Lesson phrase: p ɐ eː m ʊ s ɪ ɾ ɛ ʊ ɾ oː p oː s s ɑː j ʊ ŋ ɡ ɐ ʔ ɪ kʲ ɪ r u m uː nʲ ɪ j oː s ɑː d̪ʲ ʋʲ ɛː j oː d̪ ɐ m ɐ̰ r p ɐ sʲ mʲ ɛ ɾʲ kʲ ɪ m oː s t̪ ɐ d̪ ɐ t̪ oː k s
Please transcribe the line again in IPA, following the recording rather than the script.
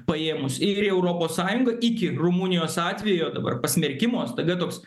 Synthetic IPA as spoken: p ɐ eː m ʊ s ɪ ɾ ɛ ʊ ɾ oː p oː s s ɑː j ʊ ŋ ɡ ɐ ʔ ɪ kʲ ɪ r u m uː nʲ ɪ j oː s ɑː t̪ʲ ʋʲ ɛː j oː d̪ ɐ b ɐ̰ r p ɐ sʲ mʲ ɛ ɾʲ kʲ ɪ m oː s t̪ ɐ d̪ ɐ t̪ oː k s